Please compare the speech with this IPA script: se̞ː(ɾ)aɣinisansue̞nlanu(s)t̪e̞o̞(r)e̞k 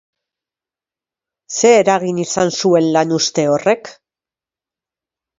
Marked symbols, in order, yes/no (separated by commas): yes, yes, yes